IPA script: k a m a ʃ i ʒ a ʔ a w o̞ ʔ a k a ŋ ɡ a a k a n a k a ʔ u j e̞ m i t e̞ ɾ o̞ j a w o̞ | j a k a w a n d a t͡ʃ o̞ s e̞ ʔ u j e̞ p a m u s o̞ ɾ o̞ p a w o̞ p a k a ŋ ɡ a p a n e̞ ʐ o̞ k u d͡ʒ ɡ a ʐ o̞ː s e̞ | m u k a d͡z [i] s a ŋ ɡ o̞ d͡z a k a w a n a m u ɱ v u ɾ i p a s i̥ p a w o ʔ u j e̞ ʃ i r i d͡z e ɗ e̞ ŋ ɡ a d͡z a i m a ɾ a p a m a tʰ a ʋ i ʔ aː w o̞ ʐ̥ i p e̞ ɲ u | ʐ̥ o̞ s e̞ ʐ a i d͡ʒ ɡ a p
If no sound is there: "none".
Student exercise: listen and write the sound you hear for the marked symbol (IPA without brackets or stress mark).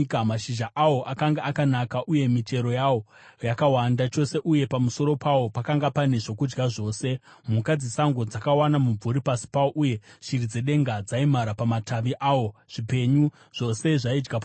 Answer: i